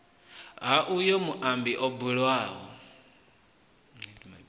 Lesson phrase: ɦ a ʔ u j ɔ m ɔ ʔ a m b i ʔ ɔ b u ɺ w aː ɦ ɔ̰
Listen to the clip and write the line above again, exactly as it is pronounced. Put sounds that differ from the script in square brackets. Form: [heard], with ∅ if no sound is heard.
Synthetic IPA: ɦ a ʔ u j ɔ m [u] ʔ a m b i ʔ ɔ b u ɺ w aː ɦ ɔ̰